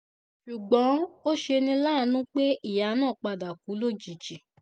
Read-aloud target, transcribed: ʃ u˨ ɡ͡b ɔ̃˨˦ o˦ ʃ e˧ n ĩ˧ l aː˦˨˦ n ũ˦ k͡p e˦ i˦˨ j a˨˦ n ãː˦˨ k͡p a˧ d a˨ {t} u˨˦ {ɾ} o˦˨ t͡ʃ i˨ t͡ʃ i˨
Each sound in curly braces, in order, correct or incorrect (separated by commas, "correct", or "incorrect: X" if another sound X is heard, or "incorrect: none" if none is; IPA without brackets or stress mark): incorrect: k, incorrect: l